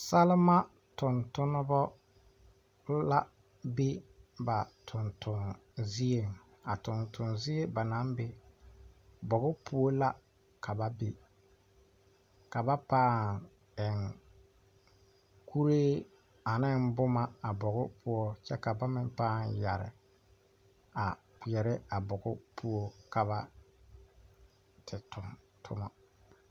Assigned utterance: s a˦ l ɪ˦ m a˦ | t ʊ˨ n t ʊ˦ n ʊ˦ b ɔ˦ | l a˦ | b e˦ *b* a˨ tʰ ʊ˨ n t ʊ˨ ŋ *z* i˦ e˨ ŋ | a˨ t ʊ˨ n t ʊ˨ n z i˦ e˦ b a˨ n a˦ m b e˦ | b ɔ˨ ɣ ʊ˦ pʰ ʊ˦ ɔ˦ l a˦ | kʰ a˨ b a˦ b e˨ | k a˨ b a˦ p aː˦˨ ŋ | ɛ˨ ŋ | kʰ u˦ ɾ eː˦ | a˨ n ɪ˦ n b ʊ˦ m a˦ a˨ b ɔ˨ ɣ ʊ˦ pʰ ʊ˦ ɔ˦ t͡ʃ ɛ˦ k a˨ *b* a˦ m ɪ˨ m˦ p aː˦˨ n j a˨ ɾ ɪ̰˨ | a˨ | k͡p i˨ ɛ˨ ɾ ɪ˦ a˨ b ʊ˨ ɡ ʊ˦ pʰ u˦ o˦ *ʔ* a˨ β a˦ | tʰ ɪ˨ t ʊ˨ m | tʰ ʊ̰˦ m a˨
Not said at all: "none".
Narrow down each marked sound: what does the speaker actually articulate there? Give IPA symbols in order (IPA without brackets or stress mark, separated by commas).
b, z, b, k